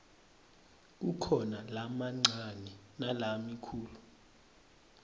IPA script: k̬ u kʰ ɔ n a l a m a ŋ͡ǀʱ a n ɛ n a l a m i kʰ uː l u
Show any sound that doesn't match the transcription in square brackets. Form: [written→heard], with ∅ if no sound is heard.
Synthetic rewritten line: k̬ u kʰ ɔ n a l a m a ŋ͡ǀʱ a n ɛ n a l a m i kʰ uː l u